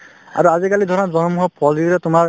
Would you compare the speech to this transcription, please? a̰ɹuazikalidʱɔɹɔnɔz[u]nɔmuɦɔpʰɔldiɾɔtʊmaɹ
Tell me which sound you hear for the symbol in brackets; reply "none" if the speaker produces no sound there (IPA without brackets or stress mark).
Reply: ɔ